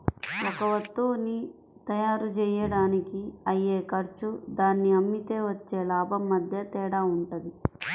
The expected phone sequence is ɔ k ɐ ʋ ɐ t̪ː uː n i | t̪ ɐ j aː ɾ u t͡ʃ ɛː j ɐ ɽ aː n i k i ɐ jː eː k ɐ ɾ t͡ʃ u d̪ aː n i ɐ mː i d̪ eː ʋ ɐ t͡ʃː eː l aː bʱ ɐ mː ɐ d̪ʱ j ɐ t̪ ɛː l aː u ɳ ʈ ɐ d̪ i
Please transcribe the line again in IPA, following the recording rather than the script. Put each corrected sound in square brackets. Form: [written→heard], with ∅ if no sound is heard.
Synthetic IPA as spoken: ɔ k ɐ ʋ ɐ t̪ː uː n i | t̪ ɐ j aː ɾ u t͡ʃ ɛː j ɐ ɽ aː n i k i ɐ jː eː k ɐ ɾ t͡ʃ u d̪ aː [n→nː] i ɐ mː i [d̪→t̪] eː ʋ ɐ t͡ʃː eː l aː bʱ ɐ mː ɐ d̪ʱ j ɐ t̪ ɛː [l→ɽ] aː u ɳ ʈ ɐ d̪ i